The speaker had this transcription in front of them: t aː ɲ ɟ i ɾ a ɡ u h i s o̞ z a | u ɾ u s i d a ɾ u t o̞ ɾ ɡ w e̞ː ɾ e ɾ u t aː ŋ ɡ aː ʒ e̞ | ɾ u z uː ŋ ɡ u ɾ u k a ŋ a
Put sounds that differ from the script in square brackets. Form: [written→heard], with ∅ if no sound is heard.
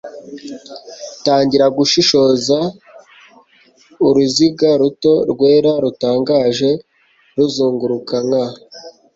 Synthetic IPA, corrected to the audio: t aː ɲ ɟ i ɾ a ɡ u [h→ʃ] i [s→ʃ] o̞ z a | u ɾ u [s→z] i [d→ɡ] a ɾ u t o̞ ɾ ɡ w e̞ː ɾ [e→a] ɾ u t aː ŋ ɡ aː ʒ e̞ | ɾ u z uː ŋ ɡ u ɾ u k a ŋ a